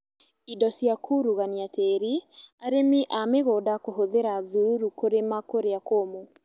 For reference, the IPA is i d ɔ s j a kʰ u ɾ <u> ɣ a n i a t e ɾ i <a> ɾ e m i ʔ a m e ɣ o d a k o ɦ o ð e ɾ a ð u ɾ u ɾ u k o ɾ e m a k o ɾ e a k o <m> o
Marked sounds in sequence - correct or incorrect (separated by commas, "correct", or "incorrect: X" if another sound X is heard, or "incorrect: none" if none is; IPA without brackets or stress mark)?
correct, correct, correct